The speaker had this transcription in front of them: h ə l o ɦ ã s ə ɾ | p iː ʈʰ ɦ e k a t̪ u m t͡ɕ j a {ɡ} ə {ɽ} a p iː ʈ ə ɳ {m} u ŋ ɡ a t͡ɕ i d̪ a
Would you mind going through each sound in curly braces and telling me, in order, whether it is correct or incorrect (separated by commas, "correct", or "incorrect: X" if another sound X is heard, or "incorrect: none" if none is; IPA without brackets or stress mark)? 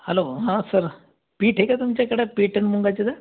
incorrect: k, correct, correct